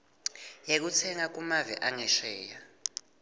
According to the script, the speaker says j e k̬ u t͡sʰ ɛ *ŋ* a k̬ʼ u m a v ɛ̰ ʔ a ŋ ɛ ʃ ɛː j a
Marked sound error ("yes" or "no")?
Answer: no